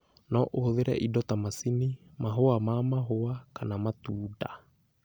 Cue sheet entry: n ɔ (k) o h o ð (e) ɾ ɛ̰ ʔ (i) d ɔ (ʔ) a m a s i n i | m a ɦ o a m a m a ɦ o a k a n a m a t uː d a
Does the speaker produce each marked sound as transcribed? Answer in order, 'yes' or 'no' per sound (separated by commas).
no, yes, yes, no